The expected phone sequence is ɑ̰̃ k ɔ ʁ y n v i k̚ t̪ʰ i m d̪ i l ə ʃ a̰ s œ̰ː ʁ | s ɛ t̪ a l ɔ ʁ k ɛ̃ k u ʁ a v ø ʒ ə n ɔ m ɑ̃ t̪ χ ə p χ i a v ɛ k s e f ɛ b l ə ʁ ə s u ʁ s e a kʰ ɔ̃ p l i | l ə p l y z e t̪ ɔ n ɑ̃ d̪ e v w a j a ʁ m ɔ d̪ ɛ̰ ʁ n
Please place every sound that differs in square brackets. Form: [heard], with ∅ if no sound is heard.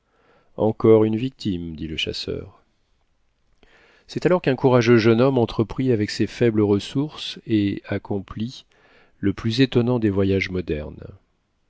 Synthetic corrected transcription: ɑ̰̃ k ɔ ʁ y n v i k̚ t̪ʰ i m d̪ i l ə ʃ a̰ s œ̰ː ʁ | s ɛ t̪ a l ɔ ʁ k ɛ̃ k u ʁ a [ʒ] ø ʒ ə n ɔ m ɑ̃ t̪ χ ə p χ i a v ɛ k s e f ɛ b l ə ʁ ə s u ʁ s e a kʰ ɔ̃ p l i | l ə p l y z e t̪ ɔ n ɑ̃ d̪ e v w a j a [ʒ] m ɔ d̪ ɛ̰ ʁ n